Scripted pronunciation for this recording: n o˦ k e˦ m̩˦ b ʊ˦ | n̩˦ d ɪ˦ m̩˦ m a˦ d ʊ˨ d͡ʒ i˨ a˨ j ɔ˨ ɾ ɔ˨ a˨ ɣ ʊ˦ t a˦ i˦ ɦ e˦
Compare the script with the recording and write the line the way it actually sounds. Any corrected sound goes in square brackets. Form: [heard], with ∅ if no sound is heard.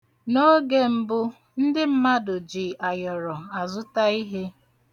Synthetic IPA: n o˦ [ɡ] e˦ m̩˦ b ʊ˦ | n̩˦ d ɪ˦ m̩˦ m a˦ d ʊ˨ d͡ʒ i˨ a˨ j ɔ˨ ɾ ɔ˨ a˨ [z] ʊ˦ t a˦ i˦ ɦ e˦